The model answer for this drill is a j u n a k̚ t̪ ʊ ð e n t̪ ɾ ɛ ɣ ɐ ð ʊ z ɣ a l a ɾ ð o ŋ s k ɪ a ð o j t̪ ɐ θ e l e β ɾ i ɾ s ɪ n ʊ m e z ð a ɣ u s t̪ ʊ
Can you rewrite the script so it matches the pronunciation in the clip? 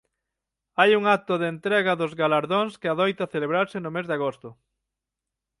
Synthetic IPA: a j u ŋ a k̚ t̪ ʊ ð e n t̪ ɾ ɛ ɣ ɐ ð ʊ z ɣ a l a ɾ ð o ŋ s k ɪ a ð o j t̪ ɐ θ e l e β ɾ a ɾ s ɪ n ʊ m e z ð a ɣ o s t̪ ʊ